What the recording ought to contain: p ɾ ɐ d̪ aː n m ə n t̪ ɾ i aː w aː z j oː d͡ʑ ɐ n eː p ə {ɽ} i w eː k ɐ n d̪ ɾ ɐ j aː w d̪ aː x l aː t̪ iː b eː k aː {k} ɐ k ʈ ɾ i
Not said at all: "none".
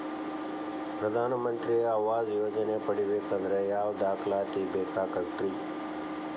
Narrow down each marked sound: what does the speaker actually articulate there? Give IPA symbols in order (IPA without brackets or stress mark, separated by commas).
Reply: ɽ, k